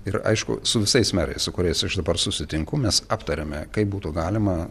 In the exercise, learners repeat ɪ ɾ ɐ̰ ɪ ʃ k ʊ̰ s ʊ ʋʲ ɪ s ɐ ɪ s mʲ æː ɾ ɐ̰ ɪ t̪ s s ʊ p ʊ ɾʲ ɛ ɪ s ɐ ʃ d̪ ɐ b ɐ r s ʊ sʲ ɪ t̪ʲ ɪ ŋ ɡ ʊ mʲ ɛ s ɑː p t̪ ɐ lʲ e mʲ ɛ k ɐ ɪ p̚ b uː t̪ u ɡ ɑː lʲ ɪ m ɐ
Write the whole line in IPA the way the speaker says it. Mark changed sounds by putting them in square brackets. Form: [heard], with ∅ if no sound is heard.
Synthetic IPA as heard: ɪ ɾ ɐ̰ ɪ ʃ k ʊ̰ s ʊ ʋʲ ɪ s ɐ ɪ s mʲ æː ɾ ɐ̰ ɪ [∅] s s ʊ [k] ʊ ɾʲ ɛ ɪ s ɐ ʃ d̪ ɐ b ɐ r s ʊ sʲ ɪ t̪ʲ ɪ ŋ [k] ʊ mʲ ɛ s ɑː p t̪ ɐ [ɾʲ] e mʲ ɛ k ɐ ɪ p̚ b uː t̪ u ɡ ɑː lʲ ɪ m ɐ